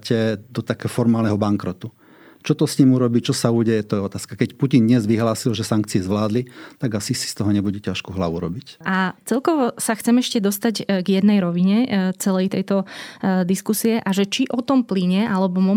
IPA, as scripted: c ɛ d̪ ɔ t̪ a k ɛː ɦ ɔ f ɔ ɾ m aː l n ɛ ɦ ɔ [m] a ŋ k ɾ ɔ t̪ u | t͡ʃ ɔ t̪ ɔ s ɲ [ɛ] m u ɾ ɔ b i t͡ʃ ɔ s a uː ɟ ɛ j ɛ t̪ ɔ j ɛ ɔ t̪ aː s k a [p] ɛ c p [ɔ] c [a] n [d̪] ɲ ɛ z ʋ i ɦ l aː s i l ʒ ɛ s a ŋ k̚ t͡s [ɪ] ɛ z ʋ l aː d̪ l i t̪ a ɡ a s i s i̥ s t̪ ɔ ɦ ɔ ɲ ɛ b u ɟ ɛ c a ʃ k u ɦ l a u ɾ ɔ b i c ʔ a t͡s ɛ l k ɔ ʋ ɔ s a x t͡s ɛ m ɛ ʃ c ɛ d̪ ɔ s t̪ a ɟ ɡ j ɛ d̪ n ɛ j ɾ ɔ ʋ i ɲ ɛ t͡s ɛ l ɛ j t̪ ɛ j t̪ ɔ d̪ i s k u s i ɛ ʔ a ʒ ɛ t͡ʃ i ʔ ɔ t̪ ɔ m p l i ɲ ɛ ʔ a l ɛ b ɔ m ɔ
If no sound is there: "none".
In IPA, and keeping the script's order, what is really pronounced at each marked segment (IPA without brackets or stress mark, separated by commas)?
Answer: b, i, k, u, i, d̪, i